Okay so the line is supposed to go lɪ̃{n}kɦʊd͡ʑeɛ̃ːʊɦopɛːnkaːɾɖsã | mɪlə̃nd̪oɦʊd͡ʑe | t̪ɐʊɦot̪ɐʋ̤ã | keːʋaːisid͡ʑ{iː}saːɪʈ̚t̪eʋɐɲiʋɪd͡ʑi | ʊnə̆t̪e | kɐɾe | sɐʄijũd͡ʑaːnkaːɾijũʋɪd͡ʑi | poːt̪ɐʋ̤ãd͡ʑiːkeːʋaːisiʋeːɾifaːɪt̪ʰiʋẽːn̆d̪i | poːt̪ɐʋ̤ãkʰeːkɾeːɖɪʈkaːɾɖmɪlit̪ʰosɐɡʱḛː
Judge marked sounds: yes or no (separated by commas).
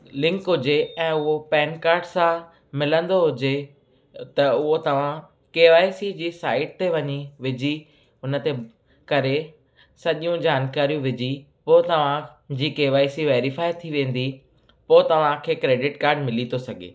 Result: no, yes